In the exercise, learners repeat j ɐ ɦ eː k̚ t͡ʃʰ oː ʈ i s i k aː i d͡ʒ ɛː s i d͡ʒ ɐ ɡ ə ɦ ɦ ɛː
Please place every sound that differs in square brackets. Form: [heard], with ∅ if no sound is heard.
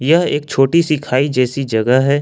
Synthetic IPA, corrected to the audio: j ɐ ɦ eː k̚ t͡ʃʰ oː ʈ i s i [kʰ] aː i d͡ʒ ɛː s i d͡ʒ ɐ ɡ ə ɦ ɦ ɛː